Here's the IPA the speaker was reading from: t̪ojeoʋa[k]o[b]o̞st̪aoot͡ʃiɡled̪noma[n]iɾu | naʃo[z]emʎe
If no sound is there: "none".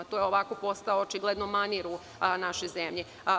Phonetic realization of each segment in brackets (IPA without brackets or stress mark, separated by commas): k, p, n, z